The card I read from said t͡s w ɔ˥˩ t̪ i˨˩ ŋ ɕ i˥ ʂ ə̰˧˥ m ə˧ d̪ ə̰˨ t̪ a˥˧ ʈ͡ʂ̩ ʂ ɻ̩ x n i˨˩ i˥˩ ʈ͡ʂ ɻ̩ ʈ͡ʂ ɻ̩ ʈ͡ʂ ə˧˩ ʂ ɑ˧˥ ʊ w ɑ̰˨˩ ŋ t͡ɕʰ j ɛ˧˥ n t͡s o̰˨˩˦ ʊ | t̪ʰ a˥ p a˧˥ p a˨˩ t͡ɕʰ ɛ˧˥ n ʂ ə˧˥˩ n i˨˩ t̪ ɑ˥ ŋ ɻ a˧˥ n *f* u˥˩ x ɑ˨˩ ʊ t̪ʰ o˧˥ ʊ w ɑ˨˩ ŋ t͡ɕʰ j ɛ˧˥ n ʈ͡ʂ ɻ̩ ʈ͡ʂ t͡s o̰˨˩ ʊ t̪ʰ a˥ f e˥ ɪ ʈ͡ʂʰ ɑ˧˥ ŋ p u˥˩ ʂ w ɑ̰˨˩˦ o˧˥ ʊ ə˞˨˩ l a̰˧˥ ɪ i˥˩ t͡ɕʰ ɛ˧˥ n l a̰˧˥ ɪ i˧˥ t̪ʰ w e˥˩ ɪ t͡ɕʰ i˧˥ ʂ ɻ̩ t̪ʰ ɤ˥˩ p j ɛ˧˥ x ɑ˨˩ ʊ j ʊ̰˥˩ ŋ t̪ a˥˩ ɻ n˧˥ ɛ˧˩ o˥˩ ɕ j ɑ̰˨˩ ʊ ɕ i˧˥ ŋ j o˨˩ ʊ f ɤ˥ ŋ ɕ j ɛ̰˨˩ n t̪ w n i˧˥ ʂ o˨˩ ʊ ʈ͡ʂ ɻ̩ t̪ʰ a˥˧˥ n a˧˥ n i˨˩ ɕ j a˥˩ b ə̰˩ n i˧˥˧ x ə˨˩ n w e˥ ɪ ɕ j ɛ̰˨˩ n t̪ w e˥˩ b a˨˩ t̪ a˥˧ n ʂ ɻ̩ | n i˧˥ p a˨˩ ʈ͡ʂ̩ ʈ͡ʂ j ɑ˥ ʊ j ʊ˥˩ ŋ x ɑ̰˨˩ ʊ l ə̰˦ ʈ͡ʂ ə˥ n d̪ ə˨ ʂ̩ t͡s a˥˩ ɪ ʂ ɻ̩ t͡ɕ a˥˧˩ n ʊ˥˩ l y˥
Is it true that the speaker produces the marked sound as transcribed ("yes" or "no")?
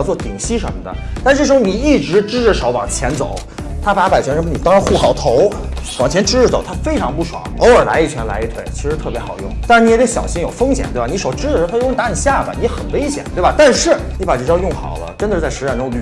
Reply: no